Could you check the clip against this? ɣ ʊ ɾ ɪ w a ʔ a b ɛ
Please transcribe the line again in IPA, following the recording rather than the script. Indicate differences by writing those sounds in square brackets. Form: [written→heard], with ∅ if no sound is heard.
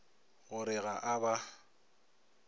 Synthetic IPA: ɣ ʊ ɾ ɪ [w→ɣ] a ʔ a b [ɛ→a]